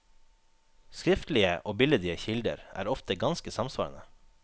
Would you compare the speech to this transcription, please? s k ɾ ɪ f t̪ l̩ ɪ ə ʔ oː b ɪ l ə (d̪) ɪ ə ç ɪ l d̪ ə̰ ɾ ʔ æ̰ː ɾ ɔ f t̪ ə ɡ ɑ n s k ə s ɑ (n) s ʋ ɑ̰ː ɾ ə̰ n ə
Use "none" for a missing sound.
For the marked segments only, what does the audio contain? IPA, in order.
d̪, m

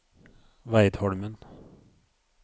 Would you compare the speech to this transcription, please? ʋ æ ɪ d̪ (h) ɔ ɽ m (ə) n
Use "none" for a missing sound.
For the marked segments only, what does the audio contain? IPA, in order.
h, ə

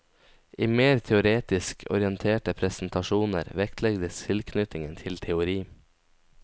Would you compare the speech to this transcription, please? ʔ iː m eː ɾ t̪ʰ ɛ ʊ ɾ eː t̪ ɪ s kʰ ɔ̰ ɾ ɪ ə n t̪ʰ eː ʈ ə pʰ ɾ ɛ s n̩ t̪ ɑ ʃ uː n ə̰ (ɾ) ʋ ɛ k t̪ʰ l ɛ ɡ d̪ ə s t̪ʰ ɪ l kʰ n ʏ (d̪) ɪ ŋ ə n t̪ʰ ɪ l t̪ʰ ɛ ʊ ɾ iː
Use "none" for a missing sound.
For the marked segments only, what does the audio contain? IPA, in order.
ɾ, t̪

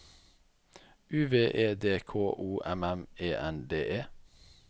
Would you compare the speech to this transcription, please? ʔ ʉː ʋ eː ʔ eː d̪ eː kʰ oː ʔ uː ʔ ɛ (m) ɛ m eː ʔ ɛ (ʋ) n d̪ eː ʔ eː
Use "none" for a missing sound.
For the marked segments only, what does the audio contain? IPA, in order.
m, none

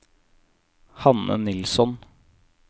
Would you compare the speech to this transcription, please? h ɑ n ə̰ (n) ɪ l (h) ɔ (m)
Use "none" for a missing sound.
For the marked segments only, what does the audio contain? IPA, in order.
n, s, n

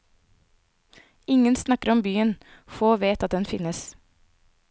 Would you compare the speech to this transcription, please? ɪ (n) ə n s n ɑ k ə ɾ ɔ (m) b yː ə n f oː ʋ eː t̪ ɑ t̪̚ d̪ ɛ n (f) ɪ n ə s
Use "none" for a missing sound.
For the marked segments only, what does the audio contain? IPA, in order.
ŋ, m, f

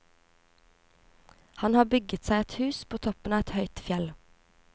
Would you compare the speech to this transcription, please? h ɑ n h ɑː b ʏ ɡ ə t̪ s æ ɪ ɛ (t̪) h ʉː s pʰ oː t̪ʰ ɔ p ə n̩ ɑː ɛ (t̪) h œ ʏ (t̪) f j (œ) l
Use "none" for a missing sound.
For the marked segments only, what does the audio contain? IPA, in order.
t̪, t̪, t̪, ɛ

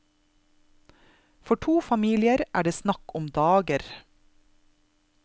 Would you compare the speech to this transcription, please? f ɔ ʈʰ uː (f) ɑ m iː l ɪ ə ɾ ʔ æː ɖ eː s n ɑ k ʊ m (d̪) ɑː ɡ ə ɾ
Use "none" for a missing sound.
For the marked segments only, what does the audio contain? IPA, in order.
f, d̪

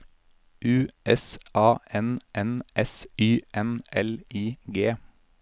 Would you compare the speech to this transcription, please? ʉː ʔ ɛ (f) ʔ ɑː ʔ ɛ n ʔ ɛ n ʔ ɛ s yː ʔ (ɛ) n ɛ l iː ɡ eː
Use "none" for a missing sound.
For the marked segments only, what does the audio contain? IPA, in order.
s, ɛ

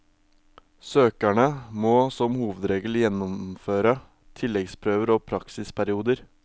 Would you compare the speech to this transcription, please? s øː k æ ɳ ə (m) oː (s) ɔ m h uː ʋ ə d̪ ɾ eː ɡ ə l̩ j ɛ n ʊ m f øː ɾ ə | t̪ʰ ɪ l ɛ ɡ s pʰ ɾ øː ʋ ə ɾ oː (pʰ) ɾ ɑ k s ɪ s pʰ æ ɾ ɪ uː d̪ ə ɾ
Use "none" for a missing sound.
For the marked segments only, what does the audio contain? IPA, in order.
m, s, pʰ

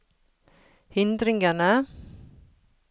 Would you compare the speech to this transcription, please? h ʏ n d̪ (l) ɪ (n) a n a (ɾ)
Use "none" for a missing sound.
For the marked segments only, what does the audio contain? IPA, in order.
ɾ, ŋ, none

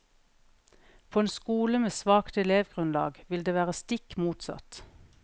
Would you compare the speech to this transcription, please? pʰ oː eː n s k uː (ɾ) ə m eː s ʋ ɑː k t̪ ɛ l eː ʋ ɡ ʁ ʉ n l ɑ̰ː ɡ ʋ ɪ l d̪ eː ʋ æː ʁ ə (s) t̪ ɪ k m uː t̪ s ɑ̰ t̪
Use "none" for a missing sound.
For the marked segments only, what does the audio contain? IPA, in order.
l, s

